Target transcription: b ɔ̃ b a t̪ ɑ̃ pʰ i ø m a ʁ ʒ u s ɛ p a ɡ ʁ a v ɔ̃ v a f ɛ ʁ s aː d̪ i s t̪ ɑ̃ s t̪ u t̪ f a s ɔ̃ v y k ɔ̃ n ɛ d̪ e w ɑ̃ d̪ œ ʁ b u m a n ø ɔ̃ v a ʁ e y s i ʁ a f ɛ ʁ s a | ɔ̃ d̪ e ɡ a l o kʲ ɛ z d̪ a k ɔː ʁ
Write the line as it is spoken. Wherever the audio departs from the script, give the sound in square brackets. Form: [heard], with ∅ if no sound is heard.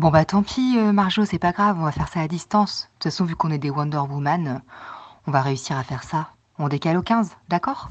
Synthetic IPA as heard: b ɔ̃ b a t̪ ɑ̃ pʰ i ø m a ʁ ʒ [o] s ɛ p a ɡ ʁ a v ɔ̃ v a f ɛ ʁ s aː d̪ i s t̪ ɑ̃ s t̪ u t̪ f a s ɔ̃ v y k ɔ̃ n ɛ d̪ e w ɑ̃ d̪ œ ʁ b u m a n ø ɔ̃ v a ʁ e y s i ʁ a f ɛ ʁ s a | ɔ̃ d̪ e [k] a l o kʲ [ɛ̃] z d̪ a k ɔː ʁ